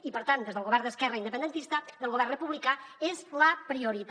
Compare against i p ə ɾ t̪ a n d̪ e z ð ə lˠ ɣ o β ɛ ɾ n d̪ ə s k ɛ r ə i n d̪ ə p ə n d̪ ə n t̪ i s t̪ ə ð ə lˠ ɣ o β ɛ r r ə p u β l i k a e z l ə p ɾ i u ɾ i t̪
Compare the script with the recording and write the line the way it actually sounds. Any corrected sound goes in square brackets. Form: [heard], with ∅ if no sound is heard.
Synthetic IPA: i p ə ɾ t̪ a n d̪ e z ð ə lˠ ɣ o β ɛ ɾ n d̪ ə s k ɛ r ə i n d̪ ə p ə n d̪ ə n t̪ i s t̪ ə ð ə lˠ ɣ o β ɛ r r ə p u β l i k a e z l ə p ɾ i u ɾ i t̪